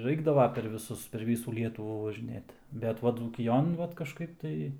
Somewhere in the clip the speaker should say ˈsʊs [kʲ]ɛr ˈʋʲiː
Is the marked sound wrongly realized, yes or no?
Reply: yes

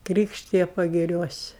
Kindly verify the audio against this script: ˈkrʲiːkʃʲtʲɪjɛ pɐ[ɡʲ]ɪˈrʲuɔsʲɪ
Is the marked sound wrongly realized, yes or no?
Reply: no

